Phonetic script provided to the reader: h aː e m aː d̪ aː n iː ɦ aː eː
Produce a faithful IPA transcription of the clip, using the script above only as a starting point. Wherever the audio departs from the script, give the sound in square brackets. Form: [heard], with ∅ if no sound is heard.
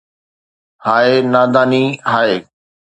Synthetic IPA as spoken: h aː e [n] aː d̪ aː n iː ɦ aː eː